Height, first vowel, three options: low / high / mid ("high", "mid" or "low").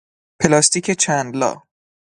mid